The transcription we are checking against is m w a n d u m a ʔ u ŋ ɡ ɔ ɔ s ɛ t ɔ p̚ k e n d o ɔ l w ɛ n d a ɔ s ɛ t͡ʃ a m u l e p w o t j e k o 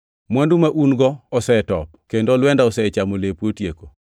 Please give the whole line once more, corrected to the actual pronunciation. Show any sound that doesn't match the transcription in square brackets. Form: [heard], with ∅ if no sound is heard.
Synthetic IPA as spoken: m w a n d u m a ʔ u [n] ɡ ɔ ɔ s ɛ t ɔ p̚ k e n d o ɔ l w ɛ n d a ɔ s ɛ t͡ʃ a m [o] l e p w o t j e k o